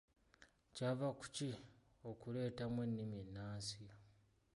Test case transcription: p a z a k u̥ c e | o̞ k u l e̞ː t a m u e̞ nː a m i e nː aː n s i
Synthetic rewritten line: c a v a k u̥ c i | o̞ k u l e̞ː t a m w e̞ nː i m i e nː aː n s i